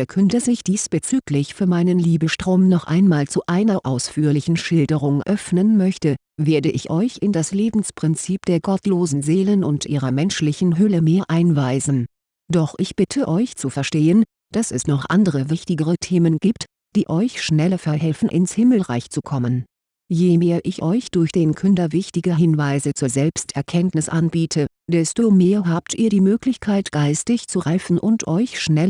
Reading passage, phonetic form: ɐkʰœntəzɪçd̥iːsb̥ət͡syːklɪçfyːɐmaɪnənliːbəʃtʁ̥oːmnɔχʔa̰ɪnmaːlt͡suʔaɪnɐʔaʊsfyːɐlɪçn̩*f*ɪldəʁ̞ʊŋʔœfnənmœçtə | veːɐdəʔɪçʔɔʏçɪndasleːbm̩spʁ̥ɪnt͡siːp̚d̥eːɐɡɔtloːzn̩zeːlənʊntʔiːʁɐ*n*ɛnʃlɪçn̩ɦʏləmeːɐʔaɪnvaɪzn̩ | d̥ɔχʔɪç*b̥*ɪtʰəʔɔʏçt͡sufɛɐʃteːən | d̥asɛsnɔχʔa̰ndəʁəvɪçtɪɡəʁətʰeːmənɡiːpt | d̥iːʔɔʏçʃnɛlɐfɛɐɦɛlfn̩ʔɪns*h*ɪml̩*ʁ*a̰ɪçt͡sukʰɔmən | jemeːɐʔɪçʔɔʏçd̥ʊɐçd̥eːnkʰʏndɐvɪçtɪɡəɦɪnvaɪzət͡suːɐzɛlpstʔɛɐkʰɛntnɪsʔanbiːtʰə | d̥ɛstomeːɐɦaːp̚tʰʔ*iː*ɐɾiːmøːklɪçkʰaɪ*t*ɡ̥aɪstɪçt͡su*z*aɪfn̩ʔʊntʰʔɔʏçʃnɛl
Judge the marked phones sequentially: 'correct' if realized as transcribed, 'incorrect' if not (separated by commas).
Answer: incorrect, incorrect, correct, correct, correct, correct, correct, incorrect